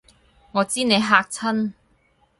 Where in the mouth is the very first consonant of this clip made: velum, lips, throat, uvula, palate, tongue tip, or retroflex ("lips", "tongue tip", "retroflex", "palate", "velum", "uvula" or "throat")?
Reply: velum